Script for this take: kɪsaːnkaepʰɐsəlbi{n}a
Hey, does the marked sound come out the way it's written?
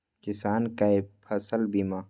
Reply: no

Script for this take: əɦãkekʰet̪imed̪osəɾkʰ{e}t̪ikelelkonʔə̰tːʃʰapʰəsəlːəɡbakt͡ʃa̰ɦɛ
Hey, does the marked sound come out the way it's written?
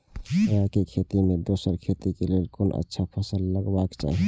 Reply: yes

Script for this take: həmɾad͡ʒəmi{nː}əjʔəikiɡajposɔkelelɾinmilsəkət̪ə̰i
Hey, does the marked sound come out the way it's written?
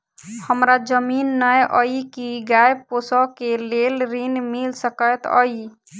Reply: yes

